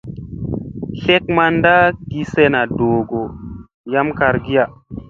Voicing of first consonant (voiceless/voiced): voiceless